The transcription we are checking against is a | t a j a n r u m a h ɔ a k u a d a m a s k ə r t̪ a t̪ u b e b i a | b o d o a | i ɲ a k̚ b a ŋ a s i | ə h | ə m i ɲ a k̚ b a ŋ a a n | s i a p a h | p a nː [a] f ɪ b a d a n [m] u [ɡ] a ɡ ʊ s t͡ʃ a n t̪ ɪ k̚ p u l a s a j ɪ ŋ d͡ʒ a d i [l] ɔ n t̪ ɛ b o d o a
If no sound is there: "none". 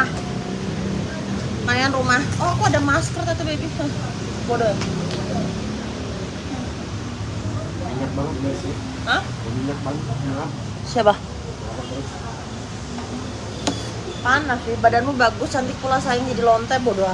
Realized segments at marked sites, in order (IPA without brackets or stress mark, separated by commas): a, m, b, l